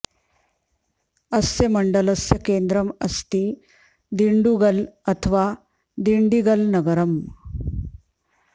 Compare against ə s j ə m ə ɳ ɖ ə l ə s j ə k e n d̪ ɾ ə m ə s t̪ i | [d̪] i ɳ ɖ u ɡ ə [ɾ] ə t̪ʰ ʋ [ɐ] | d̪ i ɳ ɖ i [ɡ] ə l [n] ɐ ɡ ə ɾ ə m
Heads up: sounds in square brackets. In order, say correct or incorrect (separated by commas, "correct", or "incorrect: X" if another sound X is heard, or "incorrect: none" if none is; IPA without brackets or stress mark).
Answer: correct, incorrect: l, incorrect: a, correct, correct